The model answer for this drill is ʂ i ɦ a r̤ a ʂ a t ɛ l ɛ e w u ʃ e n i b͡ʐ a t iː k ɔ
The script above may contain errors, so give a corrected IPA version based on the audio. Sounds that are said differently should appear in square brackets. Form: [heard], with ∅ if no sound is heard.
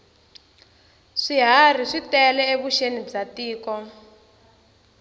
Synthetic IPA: ʂ i ɦ a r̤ [i] ʂ [i] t ɛ l ɛ e [β] u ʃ e n i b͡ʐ a t iː k ɔ